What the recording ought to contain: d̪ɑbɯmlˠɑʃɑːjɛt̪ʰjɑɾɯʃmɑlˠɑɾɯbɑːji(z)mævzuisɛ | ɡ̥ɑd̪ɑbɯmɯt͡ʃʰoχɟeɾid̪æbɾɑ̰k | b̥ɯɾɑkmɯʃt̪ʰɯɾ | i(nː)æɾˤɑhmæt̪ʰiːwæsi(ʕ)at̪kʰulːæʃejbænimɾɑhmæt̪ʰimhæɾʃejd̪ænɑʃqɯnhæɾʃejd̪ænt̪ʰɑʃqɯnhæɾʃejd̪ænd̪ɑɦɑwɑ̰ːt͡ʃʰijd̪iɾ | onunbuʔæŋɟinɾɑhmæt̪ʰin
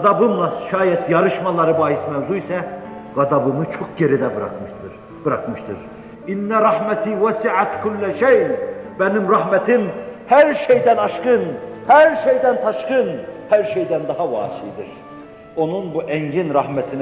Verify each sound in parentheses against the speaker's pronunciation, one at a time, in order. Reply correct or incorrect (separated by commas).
incorrect, correct, correct